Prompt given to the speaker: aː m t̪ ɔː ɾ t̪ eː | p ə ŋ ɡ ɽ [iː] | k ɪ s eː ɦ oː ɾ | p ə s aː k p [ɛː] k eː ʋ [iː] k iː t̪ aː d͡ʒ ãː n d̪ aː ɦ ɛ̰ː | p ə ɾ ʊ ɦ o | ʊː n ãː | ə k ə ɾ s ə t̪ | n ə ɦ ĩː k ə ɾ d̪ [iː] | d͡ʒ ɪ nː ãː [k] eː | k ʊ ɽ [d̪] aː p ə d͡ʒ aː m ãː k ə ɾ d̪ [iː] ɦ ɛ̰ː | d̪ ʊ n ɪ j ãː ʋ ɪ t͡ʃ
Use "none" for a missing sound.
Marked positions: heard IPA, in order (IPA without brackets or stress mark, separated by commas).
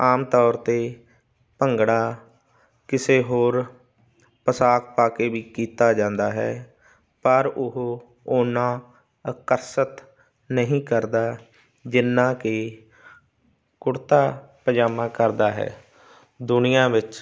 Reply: aː, aː, iː, aː, k, t̪, aː